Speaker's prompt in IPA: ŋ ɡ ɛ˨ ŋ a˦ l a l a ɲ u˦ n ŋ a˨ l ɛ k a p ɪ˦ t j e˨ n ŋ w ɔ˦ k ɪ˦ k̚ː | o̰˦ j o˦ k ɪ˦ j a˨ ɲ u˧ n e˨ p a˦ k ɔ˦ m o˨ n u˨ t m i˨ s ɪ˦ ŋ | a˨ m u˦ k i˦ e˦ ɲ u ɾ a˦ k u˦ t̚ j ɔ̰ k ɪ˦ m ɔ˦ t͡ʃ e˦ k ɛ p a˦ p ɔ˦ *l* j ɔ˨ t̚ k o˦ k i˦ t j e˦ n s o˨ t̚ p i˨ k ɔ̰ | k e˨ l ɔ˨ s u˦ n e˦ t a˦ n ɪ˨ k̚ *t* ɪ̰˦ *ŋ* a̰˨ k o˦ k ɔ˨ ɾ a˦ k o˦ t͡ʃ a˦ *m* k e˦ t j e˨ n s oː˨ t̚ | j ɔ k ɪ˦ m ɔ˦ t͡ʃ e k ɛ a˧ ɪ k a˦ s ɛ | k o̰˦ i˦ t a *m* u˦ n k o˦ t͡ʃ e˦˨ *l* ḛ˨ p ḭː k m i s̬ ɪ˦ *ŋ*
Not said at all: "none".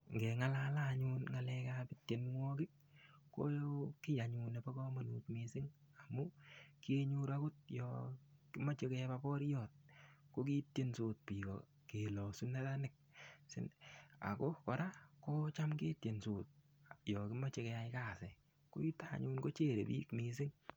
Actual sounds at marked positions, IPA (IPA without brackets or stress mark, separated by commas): ɾ, s, n, m, ɲ, ɾ, ŋ